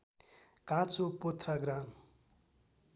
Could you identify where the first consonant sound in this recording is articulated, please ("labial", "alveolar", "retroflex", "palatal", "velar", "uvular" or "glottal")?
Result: velar